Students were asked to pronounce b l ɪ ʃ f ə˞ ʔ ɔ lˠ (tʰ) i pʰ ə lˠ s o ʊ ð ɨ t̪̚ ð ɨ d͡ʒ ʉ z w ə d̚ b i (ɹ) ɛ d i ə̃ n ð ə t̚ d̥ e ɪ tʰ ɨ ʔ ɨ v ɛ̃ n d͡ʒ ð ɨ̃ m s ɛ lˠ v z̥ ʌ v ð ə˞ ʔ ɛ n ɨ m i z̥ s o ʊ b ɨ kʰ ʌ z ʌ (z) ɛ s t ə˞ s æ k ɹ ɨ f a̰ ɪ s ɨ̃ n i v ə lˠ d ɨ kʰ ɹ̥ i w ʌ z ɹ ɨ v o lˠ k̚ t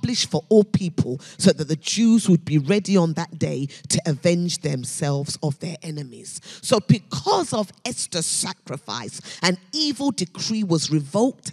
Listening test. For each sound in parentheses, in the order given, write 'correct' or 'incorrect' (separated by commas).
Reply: incorrect, correct, incorrect